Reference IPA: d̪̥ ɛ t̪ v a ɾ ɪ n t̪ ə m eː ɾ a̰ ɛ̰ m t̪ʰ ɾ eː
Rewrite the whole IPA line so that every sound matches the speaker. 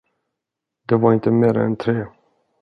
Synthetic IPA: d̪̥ ɛ v a ɾ ɪ n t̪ ə m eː ɾ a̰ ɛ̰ n t̪ʰ ɾ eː